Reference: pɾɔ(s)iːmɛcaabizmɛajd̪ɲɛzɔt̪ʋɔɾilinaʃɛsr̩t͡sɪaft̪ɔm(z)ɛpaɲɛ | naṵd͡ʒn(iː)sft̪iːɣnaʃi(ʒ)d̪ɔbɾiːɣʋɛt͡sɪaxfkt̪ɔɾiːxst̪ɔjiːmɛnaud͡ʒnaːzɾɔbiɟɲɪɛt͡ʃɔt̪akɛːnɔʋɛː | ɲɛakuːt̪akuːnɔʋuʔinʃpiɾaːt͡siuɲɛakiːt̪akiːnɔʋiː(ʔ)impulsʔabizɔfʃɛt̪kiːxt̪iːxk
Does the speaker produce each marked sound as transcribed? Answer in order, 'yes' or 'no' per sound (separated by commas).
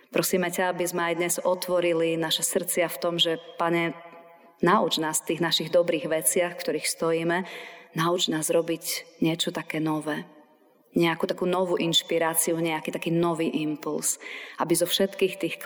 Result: yes, no, no, no, yes